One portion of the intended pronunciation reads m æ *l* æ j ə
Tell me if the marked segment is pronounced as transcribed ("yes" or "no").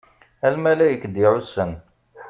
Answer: yes